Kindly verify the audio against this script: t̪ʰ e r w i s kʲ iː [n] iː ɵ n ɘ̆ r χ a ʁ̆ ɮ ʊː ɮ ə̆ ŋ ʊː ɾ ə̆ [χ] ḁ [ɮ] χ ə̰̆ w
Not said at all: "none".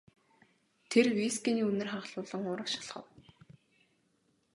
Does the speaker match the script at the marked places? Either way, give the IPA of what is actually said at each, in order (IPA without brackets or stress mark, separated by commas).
n, ʃ, ɮ